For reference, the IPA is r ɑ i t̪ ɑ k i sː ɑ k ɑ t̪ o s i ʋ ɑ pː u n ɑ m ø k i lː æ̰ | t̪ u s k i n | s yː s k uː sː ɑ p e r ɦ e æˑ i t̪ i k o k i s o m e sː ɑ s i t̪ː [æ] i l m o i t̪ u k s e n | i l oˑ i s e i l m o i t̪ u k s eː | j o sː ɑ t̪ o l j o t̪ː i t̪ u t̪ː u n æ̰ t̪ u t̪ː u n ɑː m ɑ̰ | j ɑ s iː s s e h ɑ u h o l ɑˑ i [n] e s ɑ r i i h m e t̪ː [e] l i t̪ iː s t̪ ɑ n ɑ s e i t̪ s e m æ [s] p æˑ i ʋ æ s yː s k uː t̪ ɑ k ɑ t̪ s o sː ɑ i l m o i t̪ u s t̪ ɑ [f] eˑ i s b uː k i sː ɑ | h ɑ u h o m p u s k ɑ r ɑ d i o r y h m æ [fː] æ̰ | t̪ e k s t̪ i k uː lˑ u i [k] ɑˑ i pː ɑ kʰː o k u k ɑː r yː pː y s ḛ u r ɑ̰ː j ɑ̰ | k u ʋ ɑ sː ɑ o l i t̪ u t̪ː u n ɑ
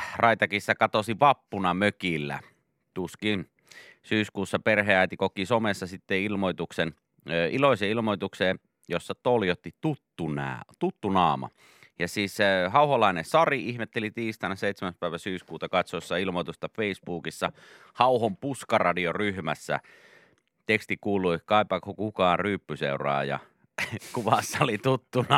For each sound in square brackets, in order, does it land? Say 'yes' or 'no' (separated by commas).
no, yes, yes, yes, yes, no, yes